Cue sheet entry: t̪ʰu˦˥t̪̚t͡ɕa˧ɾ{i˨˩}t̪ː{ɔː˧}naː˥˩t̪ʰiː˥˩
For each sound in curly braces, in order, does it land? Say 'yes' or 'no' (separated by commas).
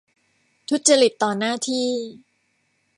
yes, no